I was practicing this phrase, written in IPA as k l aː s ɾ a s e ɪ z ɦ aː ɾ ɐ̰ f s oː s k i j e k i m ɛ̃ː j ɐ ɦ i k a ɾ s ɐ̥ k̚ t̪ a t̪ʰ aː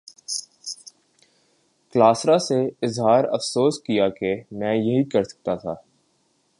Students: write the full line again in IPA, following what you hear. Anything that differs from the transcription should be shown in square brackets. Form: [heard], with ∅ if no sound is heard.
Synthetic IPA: k l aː s ɾ a s e ɪ z ɦ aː ɾ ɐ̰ f s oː s k i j [a] k [e] m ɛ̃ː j ɐ ɦ i k [ɐ] ɾ s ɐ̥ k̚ t̪ a t̪ʰ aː